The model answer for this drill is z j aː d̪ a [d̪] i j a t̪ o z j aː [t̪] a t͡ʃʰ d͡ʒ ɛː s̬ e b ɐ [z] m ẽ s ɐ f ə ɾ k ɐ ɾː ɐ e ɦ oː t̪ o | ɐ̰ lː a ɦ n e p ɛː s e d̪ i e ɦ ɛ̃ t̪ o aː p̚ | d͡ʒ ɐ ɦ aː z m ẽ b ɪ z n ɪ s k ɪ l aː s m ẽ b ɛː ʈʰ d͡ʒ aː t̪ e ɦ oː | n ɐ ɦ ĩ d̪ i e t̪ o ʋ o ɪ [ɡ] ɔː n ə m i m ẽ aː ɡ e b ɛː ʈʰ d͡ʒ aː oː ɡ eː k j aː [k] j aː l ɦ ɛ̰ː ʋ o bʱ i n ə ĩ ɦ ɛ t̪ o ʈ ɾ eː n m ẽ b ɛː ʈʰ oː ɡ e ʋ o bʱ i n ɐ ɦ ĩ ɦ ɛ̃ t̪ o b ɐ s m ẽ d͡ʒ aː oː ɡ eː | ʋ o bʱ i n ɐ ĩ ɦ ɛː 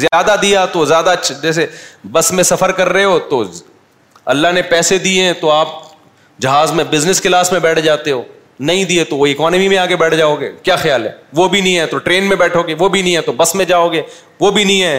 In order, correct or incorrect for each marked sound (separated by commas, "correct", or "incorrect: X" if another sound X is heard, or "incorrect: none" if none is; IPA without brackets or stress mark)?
correct, incorrect: d̪, incorrect: s, incorrect: k, incorrect: x